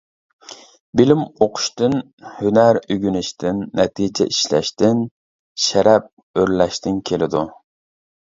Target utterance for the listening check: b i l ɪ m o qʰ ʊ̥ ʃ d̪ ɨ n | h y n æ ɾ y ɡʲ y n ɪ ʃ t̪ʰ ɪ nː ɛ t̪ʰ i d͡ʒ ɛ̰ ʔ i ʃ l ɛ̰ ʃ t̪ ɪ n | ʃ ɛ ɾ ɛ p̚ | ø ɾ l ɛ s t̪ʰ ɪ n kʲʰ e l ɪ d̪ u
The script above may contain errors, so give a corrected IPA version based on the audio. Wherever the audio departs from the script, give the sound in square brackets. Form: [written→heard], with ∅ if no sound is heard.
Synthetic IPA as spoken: b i l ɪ m o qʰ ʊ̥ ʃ [d̪→t̪] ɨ n | h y n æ ɾ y ɡʲ y n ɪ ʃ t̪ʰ ɪ nː ɛ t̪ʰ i d͡ʒ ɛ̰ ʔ i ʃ l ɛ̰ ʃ t̪ ɪ n | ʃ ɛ ɾ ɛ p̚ | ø ɾ l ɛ [s→ʃ] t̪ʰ ɪ n kʲʰ e l ɪ d̪ u